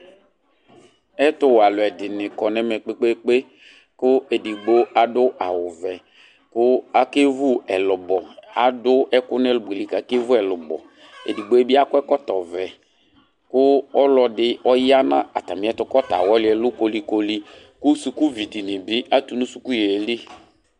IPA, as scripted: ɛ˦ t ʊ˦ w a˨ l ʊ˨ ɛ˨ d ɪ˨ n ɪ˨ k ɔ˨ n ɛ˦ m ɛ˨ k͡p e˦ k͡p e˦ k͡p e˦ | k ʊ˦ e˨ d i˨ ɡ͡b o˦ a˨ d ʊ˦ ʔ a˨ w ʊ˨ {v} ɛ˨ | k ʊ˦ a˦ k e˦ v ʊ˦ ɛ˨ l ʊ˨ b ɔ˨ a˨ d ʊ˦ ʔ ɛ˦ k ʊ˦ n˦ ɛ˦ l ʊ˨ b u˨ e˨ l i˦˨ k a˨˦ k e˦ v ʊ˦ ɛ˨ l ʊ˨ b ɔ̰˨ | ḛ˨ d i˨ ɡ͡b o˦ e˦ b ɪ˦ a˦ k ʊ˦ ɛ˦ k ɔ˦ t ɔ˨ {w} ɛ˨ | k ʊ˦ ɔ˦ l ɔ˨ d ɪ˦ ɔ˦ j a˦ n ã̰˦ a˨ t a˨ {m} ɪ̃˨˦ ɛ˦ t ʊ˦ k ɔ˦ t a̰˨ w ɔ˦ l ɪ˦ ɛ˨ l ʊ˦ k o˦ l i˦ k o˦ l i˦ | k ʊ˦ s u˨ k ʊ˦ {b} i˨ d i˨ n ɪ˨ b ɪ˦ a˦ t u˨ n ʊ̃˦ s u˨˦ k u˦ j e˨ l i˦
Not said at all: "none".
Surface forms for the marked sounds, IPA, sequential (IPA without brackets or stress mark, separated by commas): v, v, m, v